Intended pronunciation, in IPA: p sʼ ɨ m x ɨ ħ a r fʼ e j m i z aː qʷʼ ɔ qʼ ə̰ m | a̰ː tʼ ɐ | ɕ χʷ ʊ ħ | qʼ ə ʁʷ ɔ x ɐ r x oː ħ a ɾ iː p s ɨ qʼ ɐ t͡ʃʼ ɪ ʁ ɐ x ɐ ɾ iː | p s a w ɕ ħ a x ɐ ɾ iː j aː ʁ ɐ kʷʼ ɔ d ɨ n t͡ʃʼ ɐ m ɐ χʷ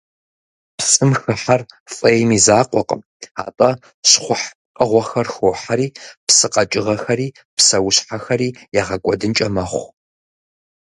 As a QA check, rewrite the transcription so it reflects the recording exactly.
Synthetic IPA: p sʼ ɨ m x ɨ ħ a r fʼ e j m i z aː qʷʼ ɔ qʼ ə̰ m | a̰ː tʼ ɐ | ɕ χʷ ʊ ħ | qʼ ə ʁʷ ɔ x ɐ r x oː ħ a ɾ iː p s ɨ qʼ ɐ t͡ʃʼ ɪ ʁ ɐ x ɐ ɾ iː | p s ɐ w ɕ ħ a x ɐ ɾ iː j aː ʁ ɐ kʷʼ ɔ d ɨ n t͡ʃʼ ɐ m ɐ χʷ